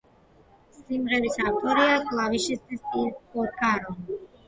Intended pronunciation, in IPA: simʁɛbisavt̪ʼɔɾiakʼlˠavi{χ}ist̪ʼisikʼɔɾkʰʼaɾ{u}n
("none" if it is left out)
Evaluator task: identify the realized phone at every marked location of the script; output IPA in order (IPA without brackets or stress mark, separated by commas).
ʃ, ɔ